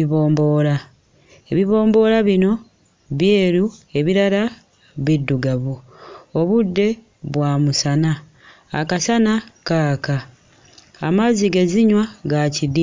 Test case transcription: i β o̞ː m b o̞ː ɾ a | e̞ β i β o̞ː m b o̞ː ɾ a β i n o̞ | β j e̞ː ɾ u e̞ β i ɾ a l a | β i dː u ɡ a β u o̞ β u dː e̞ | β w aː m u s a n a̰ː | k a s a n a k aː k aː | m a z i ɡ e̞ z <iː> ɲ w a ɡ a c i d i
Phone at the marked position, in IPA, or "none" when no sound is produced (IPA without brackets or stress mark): i